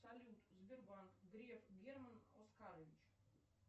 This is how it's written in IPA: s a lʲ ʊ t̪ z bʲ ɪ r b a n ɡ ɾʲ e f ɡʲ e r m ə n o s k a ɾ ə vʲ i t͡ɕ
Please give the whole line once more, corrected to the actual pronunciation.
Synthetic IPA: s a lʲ u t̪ z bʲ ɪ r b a n ɡ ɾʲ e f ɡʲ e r m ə n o s k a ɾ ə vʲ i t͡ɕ